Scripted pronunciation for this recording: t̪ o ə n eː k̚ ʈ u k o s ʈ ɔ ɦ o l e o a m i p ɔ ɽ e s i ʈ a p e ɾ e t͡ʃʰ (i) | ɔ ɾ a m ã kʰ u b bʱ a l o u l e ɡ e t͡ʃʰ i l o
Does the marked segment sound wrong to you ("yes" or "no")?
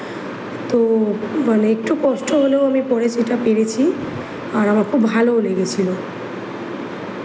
no